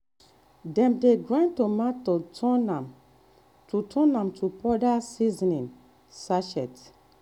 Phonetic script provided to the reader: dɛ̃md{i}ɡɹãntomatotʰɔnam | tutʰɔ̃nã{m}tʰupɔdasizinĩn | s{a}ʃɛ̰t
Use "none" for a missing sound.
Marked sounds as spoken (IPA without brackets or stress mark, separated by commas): e, m, a